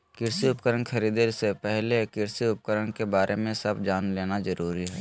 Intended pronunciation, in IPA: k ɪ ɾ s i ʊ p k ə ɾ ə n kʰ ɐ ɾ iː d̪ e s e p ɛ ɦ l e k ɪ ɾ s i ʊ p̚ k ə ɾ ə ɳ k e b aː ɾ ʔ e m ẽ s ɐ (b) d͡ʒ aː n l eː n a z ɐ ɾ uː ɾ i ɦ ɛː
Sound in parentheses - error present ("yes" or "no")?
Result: no